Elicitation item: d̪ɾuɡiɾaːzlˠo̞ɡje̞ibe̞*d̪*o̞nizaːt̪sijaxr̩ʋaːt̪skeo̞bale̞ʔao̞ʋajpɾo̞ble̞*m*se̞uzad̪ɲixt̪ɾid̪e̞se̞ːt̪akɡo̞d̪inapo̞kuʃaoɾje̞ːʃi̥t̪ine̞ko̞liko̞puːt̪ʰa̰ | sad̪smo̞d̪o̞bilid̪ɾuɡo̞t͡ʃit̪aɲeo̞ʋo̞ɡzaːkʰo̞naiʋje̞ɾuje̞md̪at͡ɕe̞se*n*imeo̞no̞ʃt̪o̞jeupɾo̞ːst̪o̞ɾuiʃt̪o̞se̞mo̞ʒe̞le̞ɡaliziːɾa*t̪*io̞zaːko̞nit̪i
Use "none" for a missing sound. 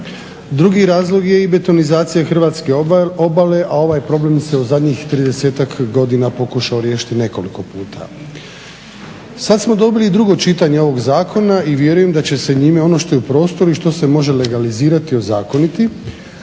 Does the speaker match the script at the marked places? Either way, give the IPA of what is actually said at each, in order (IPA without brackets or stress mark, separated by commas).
t̪, m, ɲ, t̪